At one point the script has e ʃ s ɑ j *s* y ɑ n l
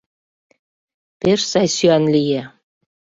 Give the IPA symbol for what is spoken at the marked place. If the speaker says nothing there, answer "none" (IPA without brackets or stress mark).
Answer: s